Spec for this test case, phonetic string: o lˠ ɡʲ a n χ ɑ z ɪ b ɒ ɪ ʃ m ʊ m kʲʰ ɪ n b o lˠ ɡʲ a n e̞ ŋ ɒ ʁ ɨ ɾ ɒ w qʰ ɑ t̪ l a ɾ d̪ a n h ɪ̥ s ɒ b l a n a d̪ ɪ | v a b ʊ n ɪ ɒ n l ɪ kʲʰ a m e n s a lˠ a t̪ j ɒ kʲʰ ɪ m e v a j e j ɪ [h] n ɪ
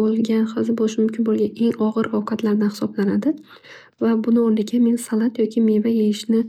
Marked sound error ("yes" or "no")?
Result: yes